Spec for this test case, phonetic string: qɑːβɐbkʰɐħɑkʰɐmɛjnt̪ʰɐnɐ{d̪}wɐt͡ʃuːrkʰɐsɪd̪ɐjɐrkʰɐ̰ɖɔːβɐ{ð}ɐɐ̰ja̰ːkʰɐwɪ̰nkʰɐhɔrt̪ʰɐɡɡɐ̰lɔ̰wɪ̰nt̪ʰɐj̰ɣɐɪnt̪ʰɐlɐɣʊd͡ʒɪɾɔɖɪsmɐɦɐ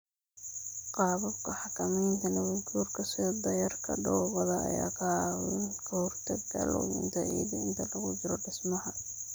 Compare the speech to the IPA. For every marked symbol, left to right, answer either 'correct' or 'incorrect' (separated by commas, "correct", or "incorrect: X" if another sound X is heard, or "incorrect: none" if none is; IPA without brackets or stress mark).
incorrect: none, correct